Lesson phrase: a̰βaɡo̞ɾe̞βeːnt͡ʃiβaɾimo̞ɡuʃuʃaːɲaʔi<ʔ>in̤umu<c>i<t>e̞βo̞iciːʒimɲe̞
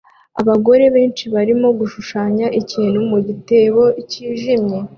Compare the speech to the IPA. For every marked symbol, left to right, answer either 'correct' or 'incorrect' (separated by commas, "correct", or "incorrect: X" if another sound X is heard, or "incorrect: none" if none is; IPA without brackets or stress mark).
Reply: incorrect: c, incorrect: ɟ, correct